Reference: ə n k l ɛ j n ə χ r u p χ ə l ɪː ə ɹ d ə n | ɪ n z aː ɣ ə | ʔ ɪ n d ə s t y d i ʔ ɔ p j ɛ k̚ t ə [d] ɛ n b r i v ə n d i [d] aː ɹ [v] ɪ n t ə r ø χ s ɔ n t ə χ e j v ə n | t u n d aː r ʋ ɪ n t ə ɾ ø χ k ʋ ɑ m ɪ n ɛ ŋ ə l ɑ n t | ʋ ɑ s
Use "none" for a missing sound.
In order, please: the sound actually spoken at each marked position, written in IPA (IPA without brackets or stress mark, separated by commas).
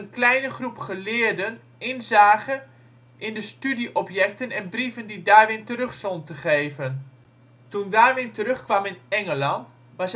n, d, ʋ